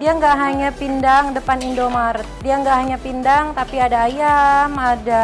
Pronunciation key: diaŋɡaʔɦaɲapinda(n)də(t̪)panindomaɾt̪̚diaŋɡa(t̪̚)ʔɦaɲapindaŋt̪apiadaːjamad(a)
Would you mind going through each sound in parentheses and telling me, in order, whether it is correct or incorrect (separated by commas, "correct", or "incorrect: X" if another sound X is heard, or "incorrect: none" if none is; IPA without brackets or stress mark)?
incorrect: ŋ, incorrect: none, incorrect: none, correct